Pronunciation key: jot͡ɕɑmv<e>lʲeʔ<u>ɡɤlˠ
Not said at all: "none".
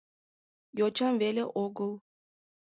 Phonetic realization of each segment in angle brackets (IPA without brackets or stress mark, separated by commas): e, o